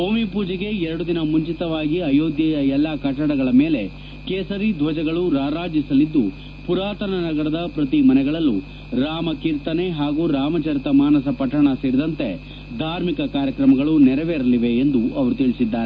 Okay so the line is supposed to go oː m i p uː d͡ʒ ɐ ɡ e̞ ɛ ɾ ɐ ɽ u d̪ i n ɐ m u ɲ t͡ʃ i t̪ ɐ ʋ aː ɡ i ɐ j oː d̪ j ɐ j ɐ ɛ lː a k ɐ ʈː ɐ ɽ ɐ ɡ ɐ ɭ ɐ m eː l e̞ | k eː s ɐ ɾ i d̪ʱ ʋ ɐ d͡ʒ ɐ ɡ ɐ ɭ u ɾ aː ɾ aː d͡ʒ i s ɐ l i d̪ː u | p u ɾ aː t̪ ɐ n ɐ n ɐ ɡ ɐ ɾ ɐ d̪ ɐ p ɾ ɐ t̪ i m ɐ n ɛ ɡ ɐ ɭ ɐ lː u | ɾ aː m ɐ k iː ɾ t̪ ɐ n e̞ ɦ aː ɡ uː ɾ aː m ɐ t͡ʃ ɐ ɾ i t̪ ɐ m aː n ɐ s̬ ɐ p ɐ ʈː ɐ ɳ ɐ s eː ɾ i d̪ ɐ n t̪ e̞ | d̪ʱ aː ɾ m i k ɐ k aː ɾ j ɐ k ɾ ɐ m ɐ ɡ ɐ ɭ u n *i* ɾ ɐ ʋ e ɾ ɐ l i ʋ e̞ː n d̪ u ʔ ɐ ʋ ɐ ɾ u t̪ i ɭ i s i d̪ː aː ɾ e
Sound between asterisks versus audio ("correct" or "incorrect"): incorrect